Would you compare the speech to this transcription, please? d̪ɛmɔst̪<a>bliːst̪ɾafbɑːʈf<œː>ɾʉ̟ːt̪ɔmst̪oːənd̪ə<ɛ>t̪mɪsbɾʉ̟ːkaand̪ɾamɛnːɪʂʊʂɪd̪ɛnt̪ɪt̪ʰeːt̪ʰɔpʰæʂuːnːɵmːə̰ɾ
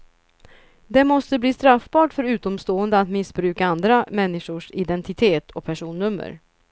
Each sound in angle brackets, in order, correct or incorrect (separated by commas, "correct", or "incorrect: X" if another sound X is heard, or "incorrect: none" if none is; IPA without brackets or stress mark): incorrect: ə, incorrect: œ, incorrect: a